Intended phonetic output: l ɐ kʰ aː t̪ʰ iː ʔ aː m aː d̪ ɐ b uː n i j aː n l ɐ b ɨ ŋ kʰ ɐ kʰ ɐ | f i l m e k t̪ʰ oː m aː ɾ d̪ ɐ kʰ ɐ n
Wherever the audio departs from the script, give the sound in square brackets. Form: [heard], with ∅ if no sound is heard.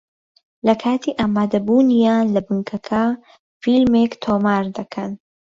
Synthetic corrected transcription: l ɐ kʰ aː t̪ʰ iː ʔ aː m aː d̪ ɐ b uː n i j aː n l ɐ b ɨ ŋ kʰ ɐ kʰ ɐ | f i l m e k t̪ʰ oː m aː ɾ d̪ ɐ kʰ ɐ n